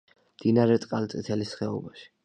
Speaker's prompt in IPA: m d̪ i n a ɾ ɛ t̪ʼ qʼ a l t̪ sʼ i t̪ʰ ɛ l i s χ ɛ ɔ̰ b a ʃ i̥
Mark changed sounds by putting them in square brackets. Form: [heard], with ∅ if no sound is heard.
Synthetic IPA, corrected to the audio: m d̪ i n a ɾ ɛ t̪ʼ qʼ a l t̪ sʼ i t̪ʰ ɛ l i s χ ɛ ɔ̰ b a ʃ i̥